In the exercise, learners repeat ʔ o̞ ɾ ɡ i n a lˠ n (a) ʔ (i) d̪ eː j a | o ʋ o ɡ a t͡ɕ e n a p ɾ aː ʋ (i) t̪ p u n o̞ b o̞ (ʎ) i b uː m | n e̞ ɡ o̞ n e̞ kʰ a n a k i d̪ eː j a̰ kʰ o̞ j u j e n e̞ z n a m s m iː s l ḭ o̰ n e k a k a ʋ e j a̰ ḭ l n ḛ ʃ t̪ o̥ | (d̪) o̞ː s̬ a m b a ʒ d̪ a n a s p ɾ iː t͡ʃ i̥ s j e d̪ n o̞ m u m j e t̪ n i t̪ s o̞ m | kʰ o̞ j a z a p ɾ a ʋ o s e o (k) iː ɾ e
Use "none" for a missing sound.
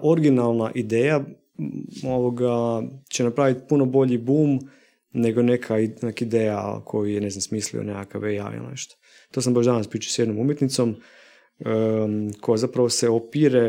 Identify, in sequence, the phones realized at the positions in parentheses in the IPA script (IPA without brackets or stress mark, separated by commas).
a, i, i, ʎ, t̪, p